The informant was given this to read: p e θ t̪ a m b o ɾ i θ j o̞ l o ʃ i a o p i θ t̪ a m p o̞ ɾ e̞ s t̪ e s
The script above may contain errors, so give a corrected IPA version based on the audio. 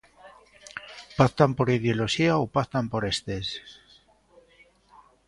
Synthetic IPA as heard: p a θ t̪ a m p o ɾ i ð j o̞ l o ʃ i a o p a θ t̪ a m p o̞ ɾ e̞ s t̪ e s